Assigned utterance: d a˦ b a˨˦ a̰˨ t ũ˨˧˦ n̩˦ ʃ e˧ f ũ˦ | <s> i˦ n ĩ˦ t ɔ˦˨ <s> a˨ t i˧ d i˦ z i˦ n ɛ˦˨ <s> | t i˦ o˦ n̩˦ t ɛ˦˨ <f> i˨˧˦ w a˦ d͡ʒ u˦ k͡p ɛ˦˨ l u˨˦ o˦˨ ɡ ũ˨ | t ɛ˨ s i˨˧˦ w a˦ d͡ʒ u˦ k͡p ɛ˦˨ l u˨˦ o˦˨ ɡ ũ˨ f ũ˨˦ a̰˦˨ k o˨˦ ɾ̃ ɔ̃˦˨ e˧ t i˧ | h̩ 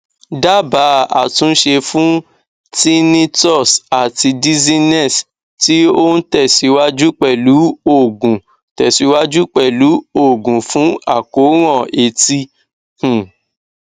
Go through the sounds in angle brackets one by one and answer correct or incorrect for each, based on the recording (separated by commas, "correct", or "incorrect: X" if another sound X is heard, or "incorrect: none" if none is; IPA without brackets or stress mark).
incorrect: t, correct, correct, incorrect: s